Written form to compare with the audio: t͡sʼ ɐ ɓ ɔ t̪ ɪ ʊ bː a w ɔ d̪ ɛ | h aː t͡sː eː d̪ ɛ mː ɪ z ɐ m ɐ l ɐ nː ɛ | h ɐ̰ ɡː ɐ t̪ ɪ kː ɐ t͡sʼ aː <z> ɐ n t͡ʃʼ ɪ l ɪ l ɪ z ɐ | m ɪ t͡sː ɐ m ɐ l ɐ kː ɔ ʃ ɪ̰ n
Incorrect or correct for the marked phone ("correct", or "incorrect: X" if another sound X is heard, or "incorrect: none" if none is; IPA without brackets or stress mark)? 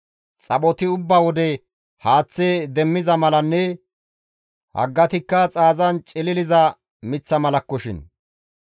correct